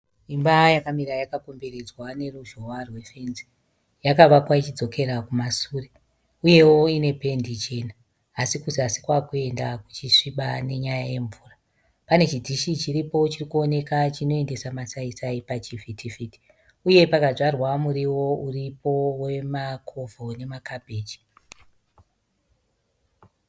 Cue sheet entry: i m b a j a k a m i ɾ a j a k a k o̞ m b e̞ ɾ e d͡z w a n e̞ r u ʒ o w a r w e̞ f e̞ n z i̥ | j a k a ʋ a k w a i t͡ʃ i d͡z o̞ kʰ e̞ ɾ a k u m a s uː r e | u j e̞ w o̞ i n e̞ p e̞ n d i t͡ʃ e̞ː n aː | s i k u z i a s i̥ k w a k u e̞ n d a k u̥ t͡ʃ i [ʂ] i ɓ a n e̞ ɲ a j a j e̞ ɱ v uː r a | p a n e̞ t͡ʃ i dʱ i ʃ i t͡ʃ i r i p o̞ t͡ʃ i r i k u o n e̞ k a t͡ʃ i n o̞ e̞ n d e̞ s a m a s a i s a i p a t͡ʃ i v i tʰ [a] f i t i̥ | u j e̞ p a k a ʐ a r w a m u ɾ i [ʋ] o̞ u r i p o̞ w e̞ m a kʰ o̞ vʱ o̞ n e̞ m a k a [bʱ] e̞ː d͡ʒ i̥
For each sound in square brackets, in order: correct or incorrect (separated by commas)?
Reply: correct, incorrect, incorrect, correct